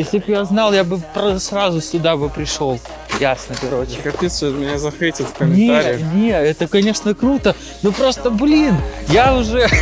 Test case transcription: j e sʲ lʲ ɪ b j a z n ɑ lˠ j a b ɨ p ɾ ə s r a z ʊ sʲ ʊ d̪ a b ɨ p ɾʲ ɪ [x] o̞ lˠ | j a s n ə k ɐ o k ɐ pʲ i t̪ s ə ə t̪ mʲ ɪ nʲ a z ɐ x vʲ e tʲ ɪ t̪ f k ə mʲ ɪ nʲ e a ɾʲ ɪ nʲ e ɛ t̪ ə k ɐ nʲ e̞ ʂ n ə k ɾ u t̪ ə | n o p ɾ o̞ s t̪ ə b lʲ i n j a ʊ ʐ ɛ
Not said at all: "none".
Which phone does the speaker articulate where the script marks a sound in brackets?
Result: ʂ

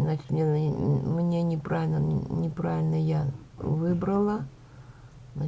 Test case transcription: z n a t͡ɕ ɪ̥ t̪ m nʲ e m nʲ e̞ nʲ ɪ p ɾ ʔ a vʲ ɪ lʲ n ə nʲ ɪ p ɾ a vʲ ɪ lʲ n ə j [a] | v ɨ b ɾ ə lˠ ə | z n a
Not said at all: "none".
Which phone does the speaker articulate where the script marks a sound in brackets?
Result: a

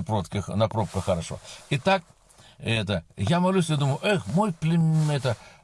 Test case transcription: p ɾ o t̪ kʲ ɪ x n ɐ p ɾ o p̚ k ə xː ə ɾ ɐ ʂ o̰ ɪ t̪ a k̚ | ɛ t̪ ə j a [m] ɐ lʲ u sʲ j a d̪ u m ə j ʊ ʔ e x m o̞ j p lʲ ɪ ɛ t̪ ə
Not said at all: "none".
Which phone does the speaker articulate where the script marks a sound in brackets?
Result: m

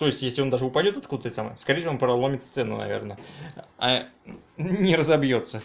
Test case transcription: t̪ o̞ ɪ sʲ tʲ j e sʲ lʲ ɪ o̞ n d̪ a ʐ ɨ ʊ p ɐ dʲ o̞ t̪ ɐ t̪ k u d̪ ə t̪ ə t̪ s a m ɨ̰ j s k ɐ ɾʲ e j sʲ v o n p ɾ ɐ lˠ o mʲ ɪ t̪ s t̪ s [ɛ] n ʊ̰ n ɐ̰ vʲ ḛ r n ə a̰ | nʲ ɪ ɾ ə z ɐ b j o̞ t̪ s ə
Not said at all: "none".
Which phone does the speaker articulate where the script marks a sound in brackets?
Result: ɛ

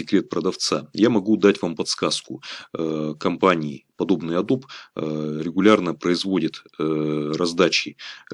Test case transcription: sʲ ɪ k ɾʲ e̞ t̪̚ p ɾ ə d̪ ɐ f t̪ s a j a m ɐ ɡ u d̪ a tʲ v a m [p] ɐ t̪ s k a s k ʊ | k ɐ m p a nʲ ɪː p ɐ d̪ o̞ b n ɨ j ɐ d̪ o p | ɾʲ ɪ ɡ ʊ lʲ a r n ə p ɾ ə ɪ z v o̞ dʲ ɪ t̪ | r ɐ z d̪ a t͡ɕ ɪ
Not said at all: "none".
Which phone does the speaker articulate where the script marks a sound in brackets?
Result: p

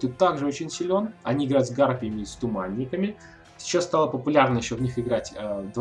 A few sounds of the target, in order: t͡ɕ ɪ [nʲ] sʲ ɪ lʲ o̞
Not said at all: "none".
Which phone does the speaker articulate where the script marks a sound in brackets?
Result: nʲ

